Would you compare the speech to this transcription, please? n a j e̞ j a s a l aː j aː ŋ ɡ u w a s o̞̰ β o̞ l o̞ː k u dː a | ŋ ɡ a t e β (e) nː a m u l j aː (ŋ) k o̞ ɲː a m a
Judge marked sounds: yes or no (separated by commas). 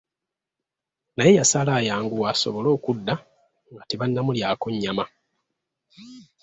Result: no, no